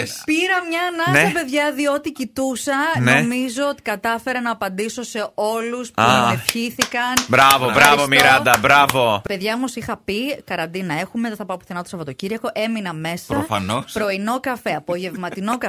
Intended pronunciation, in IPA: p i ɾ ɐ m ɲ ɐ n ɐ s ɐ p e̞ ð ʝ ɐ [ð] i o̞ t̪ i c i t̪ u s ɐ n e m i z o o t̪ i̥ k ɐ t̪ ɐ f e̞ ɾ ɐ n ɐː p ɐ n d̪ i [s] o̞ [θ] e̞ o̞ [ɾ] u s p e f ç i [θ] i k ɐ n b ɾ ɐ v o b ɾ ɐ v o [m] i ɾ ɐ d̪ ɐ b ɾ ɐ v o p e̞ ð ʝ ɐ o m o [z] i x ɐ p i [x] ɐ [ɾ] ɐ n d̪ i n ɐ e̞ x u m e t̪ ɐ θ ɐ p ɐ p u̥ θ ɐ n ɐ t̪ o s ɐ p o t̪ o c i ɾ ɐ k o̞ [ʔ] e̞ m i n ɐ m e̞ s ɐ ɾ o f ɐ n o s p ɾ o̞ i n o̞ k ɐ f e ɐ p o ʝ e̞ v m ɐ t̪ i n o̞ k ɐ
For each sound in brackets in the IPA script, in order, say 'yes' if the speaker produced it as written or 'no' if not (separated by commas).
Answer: yes, yes, no, no, yes, yes, no, no, yes, yes